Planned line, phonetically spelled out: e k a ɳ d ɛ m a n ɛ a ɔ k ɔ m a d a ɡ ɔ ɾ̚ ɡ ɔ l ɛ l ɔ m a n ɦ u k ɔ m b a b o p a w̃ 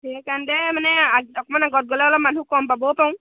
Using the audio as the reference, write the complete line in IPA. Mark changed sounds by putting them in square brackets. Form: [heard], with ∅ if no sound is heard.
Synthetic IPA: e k a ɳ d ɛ m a n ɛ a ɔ k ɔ m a [n] a ɡ ɔ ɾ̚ ɡ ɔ l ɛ l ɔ m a n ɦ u k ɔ m b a b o p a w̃